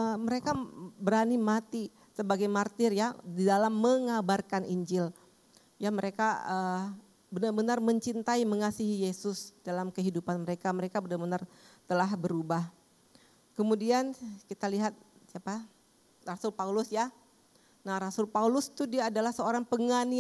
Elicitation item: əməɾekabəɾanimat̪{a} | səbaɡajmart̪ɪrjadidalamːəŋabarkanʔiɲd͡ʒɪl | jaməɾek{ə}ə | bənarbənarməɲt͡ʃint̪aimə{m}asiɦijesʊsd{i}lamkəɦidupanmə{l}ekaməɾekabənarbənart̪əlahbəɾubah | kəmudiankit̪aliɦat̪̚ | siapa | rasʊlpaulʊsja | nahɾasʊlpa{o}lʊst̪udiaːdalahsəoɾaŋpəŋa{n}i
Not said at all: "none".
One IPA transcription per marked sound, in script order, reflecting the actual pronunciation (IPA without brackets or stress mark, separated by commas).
i, a, ŋ, a, ɾ, u, n